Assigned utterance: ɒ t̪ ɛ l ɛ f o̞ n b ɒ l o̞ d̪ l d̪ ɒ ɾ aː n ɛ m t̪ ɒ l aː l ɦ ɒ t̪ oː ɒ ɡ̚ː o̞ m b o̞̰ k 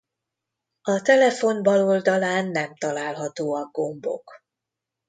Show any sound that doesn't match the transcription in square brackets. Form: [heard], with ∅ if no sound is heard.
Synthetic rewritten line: ɒ t̪ ɛ l ɛ f o̞ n b ɒ l o̞ [∅] l d̪ ɒ [l] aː [nː] ɛ m t̪ ɒ l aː l ɦ ɒ t̪ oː ɒ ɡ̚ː o̞ m b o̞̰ k